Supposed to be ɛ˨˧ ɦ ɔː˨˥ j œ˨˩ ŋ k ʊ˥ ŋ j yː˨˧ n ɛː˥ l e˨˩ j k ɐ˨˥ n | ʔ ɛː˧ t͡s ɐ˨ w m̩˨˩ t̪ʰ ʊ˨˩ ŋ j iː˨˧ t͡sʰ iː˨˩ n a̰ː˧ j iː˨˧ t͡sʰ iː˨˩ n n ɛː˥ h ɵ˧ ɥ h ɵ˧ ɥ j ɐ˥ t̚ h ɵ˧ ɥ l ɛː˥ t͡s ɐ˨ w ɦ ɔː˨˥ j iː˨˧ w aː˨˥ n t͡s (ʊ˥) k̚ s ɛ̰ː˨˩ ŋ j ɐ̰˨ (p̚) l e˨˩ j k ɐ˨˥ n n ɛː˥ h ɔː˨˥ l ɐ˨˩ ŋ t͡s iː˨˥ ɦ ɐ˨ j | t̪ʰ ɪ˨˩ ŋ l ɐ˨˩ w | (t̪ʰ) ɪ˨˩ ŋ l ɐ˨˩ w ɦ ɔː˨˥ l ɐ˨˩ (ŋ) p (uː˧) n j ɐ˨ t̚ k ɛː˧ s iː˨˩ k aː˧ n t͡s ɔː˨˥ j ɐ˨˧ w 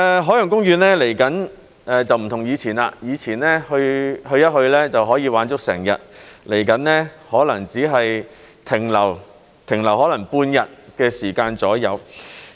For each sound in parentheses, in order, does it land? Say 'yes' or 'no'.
yes, no, yes, yes, yes

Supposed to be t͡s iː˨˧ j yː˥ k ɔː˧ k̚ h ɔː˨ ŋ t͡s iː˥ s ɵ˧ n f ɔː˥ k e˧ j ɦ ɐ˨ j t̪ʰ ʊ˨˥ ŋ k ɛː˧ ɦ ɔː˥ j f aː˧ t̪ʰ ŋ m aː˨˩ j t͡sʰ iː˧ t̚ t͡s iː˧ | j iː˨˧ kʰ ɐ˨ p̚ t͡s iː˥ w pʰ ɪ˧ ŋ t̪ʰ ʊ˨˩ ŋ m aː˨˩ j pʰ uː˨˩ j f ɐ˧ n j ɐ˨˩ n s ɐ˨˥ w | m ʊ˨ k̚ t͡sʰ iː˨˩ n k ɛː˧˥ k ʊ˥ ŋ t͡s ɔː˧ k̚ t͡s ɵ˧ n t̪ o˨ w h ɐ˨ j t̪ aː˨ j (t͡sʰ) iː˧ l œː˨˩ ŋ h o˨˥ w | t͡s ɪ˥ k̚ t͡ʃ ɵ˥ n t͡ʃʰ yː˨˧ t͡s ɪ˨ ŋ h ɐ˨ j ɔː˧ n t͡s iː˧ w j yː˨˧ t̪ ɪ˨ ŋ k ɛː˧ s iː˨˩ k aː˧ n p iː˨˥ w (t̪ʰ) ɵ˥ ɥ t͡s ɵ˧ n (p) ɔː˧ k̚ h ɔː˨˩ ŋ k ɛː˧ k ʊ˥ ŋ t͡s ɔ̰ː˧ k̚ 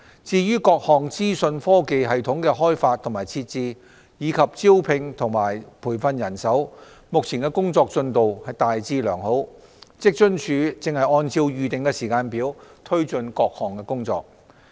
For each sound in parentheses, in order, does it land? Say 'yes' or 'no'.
no, yes, no

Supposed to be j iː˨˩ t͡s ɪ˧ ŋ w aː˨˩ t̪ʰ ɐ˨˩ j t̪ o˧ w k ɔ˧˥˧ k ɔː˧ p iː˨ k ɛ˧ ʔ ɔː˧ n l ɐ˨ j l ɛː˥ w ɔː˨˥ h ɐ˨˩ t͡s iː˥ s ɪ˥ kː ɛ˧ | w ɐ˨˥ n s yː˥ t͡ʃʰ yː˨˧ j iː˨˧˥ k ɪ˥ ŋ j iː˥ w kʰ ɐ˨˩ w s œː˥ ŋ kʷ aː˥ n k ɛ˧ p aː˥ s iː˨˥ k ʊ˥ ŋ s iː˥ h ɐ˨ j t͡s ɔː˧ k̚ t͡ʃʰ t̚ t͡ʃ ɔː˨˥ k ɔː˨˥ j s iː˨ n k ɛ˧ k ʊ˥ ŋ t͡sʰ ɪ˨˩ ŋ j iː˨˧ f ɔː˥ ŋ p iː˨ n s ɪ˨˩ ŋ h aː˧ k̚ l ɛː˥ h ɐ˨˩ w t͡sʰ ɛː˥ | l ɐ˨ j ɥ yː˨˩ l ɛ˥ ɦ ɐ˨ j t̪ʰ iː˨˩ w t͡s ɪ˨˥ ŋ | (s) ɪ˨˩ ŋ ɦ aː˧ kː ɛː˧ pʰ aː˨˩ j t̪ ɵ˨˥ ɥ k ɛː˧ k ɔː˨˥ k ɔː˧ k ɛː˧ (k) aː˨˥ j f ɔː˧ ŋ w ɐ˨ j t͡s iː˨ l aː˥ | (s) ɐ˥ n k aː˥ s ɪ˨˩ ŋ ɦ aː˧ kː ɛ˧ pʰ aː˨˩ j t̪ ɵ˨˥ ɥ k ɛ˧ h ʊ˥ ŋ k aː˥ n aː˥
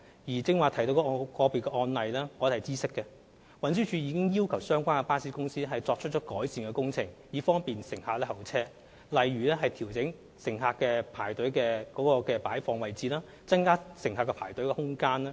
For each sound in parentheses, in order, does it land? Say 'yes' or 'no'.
yes, no, no

